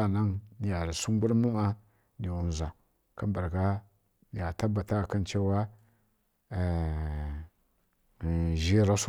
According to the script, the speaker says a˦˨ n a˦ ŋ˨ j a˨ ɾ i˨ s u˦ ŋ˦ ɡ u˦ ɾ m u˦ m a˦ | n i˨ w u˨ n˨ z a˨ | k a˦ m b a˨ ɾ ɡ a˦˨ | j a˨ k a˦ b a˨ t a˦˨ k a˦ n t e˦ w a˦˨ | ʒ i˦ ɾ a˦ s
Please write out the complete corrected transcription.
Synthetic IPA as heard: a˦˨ n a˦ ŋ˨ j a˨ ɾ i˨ s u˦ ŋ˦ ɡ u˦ ɾ m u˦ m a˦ | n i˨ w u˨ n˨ z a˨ | k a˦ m b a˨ ɾ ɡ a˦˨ | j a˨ t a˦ b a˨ t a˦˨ k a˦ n t͡ʃ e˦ w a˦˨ | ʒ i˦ ɾ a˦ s

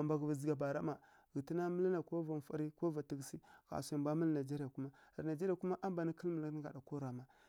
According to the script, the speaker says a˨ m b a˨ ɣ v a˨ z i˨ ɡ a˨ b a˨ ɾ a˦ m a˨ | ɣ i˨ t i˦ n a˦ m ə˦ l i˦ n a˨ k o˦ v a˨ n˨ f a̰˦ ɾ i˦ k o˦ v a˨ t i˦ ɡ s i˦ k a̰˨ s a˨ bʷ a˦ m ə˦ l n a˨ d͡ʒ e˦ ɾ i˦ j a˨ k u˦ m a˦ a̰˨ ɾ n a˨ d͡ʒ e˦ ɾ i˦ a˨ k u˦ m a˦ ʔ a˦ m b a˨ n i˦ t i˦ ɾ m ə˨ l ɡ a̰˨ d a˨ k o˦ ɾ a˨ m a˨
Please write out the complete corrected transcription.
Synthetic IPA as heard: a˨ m b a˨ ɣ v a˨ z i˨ ɡ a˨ b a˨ ɾ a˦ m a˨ | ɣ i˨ t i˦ n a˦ m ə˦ l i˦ n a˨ k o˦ v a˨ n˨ f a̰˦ ɾ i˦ k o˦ v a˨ t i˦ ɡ s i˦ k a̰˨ s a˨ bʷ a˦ m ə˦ l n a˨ d͡ʒ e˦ ɾ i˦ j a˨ k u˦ m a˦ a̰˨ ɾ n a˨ d͡ʒ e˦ ɾ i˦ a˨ k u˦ m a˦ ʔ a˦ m b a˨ n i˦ k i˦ l m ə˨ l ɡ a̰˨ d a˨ k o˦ ɾ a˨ m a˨

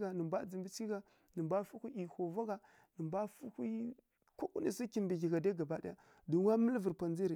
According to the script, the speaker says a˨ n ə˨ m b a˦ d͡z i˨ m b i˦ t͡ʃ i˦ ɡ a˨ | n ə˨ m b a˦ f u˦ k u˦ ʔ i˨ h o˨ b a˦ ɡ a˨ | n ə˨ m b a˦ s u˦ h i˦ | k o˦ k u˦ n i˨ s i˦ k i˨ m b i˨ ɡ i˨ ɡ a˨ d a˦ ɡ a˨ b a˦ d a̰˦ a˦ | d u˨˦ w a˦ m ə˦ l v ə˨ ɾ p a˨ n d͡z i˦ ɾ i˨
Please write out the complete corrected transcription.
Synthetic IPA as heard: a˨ n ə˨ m b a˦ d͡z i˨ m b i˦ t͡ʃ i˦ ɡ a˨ | n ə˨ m b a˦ f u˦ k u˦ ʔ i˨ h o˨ v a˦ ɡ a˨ | n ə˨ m b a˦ f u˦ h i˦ | k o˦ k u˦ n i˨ s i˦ k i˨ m b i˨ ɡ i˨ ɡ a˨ d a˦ ɡ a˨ b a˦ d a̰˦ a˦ | d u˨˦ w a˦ m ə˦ l v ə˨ ɾ p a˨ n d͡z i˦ ɾ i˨

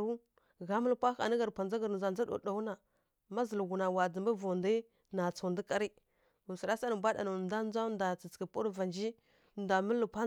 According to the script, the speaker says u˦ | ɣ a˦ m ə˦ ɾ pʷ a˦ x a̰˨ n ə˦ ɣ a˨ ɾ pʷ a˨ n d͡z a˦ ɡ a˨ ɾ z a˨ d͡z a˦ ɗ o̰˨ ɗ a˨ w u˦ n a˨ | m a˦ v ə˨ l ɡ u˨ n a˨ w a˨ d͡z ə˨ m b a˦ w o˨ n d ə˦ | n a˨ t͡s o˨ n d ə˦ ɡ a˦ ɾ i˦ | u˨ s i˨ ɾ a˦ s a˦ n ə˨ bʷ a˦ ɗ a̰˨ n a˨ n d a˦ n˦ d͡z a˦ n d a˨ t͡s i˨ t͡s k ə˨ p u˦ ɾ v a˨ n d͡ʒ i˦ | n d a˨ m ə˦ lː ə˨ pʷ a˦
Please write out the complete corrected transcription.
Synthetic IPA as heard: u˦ | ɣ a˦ m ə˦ l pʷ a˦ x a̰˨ n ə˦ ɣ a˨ ɾ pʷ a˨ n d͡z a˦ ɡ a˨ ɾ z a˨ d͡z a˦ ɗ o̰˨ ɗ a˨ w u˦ n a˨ | m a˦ z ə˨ l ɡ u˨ n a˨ w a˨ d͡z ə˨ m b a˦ v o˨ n d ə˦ | n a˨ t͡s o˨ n d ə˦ k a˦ ɾ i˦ | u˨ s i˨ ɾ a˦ s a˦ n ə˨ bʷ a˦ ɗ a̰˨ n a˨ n d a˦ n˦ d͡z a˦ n d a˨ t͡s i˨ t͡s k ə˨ p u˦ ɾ v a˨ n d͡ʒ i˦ | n d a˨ m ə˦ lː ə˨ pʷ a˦

